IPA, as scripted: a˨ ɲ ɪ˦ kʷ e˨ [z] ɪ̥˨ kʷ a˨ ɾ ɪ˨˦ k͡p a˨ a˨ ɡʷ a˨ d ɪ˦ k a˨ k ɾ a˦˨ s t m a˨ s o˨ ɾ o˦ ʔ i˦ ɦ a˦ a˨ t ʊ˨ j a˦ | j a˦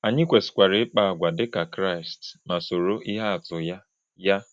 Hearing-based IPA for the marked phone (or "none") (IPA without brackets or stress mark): s